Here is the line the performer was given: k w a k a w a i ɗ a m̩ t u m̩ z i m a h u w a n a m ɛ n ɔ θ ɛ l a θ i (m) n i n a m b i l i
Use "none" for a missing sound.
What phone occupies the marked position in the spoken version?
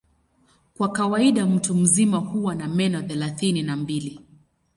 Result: none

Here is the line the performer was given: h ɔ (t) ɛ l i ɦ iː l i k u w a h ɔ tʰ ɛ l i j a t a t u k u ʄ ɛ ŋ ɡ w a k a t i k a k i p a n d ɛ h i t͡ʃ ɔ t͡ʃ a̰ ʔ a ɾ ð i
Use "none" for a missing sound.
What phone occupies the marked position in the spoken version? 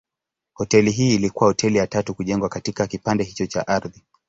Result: t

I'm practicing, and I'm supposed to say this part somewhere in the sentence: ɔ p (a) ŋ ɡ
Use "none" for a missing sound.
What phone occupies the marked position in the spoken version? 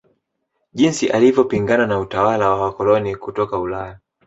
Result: i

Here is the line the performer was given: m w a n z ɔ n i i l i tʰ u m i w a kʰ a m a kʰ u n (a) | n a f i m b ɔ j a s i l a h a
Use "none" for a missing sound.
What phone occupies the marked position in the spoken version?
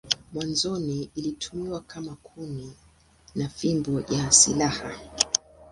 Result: i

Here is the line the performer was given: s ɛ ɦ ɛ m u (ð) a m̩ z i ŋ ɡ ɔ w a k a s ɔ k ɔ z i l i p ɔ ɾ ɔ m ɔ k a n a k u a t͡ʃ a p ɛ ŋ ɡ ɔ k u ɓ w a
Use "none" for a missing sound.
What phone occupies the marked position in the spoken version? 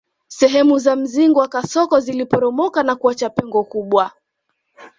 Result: z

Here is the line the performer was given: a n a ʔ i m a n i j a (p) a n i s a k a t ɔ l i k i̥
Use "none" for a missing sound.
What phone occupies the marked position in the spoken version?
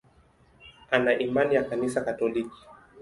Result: k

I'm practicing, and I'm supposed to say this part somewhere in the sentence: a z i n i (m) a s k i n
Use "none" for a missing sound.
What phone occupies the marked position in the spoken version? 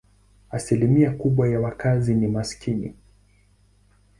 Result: m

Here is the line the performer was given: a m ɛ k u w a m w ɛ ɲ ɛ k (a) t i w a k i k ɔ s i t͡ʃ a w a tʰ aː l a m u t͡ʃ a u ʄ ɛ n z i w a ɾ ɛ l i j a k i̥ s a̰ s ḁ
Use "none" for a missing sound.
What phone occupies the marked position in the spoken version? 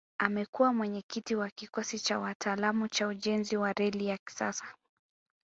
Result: i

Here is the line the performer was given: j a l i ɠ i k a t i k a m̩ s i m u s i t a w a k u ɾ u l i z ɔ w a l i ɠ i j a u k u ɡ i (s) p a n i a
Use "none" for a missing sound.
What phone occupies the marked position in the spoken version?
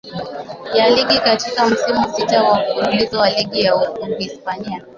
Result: s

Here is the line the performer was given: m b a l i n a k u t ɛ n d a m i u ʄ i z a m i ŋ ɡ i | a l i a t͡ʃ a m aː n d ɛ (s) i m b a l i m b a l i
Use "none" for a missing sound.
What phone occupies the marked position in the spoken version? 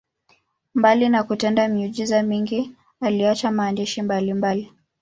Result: ʃ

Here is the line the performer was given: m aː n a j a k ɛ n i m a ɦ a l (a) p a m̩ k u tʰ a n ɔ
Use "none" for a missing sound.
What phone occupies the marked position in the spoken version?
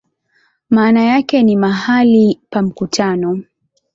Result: i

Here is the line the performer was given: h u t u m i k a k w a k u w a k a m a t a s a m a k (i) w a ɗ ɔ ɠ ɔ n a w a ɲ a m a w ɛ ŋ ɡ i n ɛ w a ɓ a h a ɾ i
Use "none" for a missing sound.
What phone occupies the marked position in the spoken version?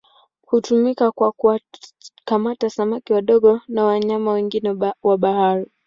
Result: i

